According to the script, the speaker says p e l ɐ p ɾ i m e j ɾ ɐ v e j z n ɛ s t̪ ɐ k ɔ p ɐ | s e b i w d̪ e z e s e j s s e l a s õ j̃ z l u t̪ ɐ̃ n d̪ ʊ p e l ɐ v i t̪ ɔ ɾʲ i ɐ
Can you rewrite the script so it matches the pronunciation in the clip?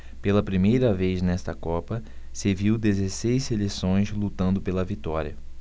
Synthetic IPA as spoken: p e l ɐ p ɾ i m e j ɾ ɐ v e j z n ɛ s t̪ ɐ k ɔ p ɐ | s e v i w d̪ e z e s e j s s e l e s õ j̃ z l u t̪ ɐ̃ n d̪ ʊ p e l ɐ v i t̪ ɔ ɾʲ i ɐ

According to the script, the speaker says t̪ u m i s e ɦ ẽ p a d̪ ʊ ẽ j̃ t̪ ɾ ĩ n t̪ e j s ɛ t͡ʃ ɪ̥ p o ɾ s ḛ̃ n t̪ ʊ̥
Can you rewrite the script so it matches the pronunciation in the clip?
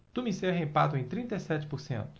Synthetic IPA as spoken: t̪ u m i s e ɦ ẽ p a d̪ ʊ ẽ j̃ t̪ ɾ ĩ n t̪ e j s ɛ t͡ʃ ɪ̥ p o ɾ s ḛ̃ n t̪ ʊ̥

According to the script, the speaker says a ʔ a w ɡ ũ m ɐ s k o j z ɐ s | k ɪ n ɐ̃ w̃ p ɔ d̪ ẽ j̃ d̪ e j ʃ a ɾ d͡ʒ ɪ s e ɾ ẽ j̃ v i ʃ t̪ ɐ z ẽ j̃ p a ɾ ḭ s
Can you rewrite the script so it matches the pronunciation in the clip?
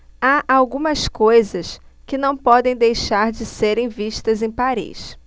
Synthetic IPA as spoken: a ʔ a w ɡ ũ m ɐ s k o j z ɐ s | k ɪ n ɐ̃ w̃ p ɔ d̪ ẽ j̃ d̪ e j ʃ a ɾ d͡ʒ ɪ s e ɾ ẽ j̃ v i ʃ t̪ ɐ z ẽ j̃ p a ɾ ḭ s

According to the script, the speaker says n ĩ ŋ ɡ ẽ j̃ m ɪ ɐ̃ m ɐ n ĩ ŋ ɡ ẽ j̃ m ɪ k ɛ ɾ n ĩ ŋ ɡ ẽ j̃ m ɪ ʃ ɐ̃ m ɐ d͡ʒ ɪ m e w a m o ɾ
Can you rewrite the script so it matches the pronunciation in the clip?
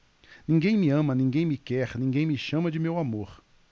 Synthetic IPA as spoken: n ĩ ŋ ɡ ẽ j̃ m ɪ ɐ̃ m ɐ n ĩ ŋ ɡ ẽ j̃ m ɪ k ɛ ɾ n ĩ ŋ ɡ ẽ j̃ m ɪ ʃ ɐ̃ m ɐ d͡ʒ ɪ m e w a m o ɾ

